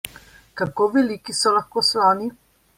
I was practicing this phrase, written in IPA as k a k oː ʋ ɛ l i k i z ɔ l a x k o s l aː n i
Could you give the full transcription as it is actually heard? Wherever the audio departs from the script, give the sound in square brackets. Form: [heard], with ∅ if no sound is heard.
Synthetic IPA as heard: k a k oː ʋ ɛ l i k i [s] ɔ l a x k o s l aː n i